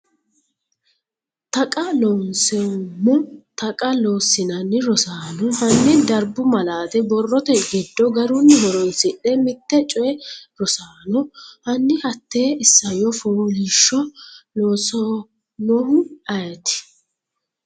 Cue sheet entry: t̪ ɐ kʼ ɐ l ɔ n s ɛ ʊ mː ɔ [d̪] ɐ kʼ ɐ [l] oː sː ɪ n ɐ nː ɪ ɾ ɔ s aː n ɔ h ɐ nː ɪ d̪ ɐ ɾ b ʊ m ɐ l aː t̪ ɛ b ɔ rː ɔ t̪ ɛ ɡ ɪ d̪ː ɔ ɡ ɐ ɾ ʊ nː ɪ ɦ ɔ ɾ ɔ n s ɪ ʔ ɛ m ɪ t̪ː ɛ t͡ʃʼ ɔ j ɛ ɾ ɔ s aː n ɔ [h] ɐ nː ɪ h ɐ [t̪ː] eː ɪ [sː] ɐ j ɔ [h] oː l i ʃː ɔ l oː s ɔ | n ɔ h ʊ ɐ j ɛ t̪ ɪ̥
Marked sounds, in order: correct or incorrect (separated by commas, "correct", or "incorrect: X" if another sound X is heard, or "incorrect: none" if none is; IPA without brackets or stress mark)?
incorrect: t̪, correct, correct, correct, correct, incorrect: f